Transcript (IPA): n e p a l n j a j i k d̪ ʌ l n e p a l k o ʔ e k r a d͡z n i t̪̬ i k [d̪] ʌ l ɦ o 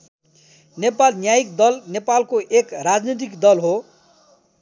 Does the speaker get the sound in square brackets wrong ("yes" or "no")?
no